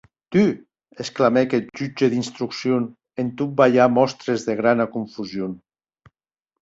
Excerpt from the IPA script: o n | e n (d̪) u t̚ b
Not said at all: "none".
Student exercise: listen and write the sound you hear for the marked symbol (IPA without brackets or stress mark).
t̪